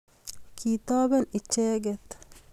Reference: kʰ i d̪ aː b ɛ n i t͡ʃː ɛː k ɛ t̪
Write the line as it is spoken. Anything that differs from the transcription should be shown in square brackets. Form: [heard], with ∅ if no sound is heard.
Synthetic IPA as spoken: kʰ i [t̪] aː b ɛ n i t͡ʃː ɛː [ɡ] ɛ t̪